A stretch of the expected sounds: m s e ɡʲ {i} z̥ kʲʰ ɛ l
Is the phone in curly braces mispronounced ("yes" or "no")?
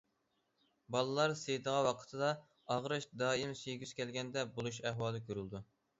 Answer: yes